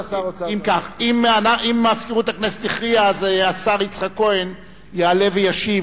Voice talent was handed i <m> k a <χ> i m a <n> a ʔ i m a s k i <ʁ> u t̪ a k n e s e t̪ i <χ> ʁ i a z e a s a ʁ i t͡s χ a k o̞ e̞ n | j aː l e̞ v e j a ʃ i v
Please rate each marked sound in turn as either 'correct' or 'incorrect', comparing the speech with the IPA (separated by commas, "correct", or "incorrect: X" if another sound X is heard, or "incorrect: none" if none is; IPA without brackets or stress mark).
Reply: correct, correct, correct, correct, correct